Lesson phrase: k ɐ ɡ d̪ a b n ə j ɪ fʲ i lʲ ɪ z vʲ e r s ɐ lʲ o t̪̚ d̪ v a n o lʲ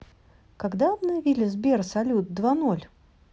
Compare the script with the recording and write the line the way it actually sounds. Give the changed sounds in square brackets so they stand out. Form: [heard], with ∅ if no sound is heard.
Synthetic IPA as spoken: k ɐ ɡ d̪ a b n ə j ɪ [vʲ] i lʲ ɪ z [bʲ] e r s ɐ lʲ [u] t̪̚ d̪ v a n o lʲ